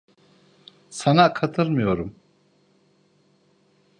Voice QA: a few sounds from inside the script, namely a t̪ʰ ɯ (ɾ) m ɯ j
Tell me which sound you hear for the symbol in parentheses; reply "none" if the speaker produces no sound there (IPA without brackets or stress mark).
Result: ɾ